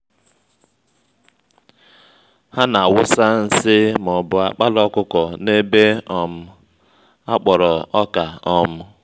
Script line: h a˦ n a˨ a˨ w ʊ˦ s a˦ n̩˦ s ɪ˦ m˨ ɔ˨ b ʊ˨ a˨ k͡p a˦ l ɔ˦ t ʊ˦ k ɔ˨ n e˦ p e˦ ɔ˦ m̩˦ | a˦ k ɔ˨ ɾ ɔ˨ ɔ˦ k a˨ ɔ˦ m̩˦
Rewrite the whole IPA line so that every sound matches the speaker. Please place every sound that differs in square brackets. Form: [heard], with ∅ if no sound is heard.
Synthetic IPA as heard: h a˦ n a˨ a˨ w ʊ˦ s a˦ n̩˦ s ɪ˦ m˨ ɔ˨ b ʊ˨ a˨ k͡p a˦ l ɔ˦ [k] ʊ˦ k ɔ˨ n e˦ [b] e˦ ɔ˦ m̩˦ | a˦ [k͡p] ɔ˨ ɾ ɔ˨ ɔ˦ k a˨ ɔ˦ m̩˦